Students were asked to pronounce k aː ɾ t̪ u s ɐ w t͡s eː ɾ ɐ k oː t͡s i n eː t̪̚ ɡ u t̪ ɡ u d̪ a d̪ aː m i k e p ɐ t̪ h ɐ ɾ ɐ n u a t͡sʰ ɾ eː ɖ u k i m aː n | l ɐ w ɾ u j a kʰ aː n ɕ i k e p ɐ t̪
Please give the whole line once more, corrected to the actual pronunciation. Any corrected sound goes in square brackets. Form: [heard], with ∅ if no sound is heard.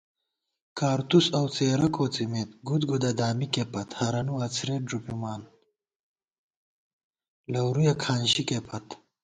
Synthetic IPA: k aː ɾ t̪ u s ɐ w t͡s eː ɾ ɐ k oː t͡s i [m] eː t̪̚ ɡ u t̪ ɡ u d̪ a d̪ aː m i k e p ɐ t̪ h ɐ ɾ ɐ n u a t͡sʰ ɾ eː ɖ u [p] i m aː n | l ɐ w ɾ u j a kʰ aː n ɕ i k e p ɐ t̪